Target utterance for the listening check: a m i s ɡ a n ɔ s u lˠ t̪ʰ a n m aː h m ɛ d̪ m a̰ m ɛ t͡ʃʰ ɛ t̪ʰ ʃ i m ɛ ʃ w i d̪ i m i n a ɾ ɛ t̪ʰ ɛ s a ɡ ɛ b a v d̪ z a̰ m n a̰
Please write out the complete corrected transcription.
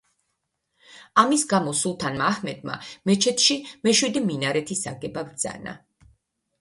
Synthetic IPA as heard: a m i s ɡ a m ɔ s u lˠ t̪ʰ a n m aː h m ɛ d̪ m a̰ m ɛ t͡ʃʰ ɛ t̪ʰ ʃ i m ɛ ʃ w i d̪ i m i n a ɾ ɛ t̪ʰ i s a ɡ ɛ b a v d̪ z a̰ n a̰